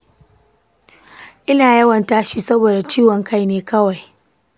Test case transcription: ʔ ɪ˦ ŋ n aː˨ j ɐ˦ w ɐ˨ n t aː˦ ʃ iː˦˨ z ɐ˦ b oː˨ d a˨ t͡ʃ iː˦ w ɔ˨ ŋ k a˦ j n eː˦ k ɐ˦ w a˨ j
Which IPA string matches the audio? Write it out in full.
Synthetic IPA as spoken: ʔ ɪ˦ n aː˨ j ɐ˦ w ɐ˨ n t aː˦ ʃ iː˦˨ s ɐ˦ b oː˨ d a˨ t͡ʃ iː˦ w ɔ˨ ŋ k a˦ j n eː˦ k ɐ˦ w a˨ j